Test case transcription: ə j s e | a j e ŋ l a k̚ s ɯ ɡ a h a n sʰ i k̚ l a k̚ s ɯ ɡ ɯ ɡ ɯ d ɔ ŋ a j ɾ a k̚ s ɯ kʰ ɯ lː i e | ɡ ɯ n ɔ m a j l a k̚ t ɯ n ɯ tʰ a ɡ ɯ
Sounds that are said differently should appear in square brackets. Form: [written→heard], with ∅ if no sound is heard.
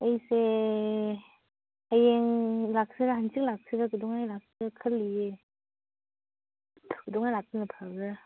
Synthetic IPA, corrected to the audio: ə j s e | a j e ŋ l a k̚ s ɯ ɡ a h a n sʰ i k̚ l a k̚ s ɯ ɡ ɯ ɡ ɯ d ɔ ŋ a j [ɾ→l] a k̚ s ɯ kʰ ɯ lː i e | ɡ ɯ [n→d] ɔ [m→ŋ] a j l a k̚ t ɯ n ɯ [tʰ→pʰ] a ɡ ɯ